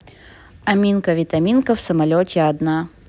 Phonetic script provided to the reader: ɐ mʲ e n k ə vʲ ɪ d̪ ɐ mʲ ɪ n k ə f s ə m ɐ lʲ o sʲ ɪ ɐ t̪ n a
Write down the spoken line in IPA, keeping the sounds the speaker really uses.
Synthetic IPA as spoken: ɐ mʲ i n k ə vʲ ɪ t̪ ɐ mʲ i n k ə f s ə m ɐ lʲ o tʲ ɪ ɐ d̪ n a